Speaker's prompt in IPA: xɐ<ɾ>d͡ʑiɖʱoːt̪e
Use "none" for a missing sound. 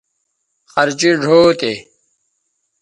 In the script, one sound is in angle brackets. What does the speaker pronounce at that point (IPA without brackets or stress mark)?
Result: ɾ